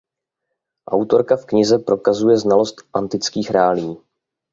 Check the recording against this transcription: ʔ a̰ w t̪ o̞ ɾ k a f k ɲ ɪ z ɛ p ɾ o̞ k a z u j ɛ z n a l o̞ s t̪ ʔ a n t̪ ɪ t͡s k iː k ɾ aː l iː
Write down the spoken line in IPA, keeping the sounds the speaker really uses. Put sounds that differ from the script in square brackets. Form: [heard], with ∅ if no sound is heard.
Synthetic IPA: ʔ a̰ w t̪ o̞ ɾ k a f k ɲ ɪ z ɛ p ɾ o̞ k a z u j ɛ z n a l o̞ s t̪ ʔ a n t̪ ɪ t͡s k iː [x] ɾ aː l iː